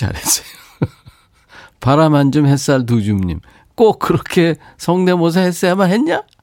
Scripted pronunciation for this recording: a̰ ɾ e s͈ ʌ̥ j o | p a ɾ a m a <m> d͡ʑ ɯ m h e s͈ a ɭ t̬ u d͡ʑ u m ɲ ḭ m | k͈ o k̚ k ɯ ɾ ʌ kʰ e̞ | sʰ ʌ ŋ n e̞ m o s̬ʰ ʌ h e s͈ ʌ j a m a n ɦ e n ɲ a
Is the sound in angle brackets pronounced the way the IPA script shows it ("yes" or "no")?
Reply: no